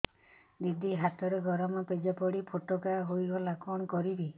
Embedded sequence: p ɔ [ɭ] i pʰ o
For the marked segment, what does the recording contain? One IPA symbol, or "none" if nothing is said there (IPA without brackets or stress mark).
ɽ